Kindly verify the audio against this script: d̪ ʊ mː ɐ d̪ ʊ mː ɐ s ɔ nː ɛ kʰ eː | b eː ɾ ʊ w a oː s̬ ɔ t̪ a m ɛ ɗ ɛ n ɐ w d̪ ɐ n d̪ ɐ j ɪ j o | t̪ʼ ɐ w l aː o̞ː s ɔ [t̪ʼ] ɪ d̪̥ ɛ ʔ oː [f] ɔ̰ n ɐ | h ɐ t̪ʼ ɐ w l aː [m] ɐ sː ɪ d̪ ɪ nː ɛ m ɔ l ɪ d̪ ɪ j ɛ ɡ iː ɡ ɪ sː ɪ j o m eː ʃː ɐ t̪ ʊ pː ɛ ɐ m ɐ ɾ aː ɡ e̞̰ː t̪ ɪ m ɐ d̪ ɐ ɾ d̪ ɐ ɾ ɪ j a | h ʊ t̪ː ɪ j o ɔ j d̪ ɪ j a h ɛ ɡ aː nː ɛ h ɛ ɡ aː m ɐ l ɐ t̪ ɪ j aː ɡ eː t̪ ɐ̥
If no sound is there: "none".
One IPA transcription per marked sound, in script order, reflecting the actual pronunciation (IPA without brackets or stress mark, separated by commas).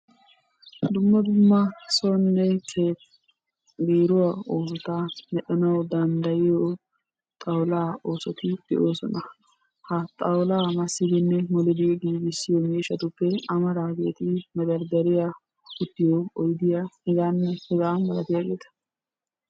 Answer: t̪, s, m